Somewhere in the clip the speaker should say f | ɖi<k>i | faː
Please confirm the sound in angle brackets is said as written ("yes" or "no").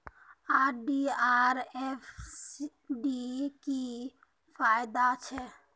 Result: yes